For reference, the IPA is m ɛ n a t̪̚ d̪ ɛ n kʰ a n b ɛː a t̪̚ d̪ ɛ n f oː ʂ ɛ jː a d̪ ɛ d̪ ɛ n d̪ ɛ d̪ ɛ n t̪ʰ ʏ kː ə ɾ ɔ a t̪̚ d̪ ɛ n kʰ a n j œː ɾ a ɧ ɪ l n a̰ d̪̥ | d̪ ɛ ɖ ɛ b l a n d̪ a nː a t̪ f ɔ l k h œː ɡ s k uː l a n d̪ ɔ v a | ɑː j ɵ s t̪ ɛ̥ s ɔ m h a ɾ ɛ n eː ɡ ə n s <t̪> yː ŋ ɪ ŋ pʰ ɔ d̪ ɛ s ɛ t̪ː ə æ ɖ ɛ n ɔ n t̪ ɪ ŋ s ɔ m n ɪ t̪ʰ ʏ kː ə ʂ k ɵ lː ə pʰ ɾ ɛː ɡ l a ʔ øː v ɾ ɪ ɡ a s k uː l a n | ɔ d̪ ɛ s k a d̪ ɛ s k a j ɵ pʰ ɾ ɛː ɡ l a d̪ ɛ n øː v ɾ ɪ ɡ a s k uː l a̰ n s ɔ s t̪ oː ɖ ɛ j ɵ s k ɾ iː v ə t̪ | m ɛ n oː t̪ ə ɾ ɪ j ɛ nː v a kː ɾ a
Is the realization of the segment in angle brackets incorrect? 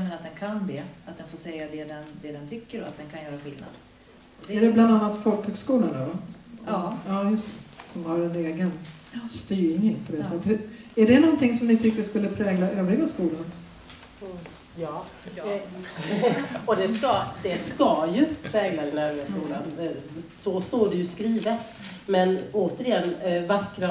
no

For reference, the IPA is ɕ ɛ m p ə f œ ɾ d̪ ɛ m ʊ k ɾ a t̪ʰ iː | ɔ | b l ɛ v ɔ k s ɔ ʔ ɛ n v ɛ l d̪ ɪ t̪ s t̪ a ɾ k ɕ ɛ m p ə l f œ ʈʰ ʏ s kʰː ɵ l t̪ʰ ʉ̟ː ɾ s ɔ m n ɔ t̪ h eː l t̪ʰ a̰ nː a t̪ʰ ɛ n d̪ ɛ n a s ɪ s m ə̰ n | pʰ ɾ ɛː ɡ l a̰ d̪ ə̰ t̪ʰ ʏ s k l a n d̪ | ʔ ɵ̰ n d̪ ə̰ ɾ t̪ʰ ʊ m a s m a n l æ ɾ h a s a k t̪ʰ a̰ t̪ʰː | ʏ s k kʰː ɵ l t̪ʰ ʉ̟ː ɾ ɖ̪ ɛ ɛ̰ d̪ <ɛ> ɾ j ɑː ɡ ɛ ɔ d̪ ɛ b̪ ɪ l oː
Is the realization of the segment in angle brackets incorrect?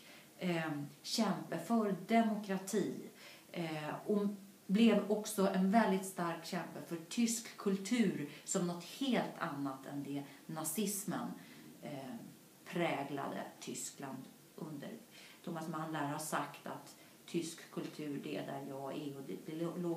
yes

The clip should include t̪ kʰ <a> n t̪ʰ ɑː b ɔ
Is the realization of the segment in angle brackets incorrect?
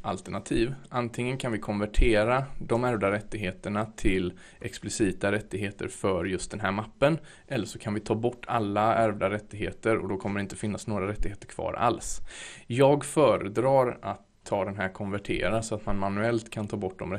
no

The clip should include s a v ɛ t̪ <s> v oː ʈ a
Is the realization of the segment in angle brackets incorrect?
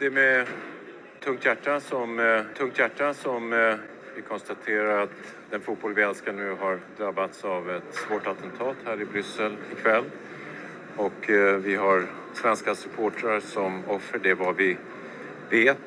no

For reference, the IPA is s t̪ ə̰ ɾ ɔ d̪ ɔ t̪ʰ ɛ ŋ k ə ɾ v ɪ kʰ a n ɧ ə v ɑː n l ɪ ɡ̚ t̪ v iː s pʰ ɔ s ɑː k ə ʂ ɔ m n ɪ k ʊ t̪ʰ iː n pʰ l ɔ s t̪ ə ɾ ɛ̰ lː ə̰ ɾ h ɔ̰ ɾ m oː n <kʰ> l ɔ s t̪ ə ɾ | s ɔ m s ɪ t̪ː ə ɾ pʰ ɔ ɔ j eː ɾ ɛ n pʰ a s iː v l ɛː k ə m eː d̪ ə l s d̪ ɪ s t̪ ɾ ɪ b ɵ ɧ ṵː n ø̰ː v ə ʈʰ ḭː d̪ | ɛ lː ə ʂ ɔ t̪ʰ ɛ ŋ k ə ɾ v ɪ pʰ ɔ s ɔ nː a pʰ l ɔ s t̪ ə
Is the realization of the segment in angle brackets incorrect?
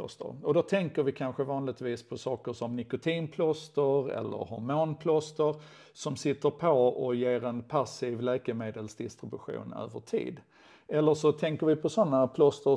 yes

